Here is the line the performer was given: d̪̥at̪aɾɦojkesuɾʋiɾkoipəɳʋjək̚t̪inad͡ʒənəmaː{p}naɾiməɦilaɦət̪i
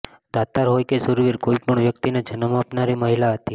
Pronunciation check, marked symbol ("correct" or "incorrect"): correct